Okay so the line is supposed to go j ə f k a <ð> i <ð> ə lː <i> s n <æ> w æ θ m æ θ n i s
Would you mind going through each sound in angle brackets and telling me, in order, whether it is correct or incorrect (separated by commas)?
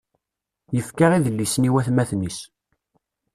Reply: incorrect, correct, correct, incorrect